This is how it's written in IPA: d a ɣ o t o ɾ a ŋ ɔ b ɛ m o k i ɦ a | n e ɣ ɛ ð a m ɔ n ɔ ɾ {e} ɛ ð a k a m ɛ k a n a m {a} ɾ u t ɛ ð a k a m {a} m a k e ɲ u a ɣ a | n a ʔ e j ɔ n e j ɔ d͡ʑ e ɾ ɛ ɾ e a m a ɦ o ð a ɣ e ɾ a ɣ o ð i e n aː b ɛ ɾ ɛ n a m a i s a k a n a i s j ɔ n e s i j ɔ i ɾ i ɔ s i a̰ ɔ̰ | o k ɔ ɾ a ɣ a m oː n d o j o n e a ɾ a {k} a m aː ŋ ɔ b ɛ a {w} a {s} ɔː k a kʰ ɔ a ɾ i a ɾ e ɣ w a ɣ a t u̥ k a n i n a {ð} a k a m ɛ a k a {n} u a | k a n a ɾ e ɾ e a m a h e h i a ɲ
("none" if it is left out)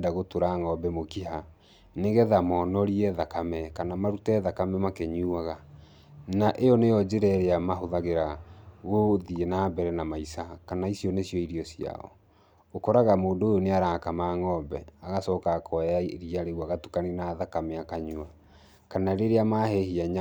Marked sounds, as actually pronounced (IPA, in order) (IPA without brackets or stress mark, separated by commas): i, a, ɛ, k, ɣ, s, ð, ɲ